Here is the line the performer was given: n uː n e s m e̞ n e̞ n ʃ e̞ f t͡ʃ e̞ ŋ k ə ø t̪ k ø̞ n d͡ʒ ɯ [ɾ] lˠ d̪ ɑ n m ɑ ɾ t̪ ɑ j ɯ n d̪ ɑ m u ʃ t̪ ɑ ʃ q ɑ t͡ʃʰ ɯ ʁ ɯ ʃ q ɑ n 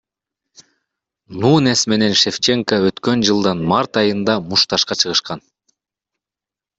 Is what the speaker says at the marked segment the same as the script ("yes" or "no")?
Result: no